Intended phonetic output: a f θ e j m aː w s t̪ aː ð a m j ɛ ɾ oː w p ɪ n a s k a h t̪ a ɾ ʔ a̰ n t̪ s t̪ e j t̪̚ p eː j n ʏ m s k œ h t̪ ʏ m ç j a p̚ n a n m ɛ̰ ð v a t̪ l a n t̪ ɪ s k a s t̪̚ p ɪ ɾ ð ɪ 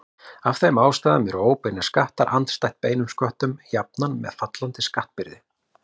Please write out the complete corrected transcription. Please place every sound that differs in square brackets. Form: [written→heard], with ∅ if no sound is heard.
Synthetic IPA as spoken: a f θ e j m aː w s t̪ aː ð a m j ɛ ɾ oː w p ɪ n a s k a h t̪ a ɾ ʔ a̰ n t̪ s t̪ [e→a] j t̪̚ p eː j n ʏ m s k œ h t̪ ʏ m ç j a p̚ n a n m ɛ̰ ð [v→f] a t̪ l a n t̪ ɪ s k a [s→h] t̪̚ p ɪ ɾ ð ɪ